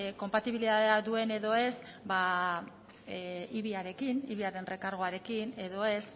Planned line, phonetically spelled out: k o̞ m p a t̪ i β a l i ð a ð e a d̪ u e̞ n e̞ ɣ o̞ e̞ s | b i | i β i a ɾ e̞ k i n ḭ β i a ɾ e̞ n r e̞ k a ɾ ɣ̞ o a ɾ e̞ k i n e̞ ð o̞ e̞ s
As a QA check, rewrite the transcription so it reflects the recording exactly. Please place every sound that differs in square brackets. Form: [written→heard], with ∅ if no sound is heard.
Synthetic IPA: k o̞ m p a t̪ i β [a→i] l i ð a ð e a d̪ u e̞ n e̞ [ɣ→ð] o̞ e̞ s | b [i→a] | i β i a ɾ e̞ k i n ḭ β i a ɾ e̞ n r e̞ k a ɾ ɣ̞ o a ɾ e̞ k i n e̞ ð o̞ e̞ s